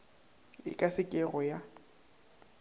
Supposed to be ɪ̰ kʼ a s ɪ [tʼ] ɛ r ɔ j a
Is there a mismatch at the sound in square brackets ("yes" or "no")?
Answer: yes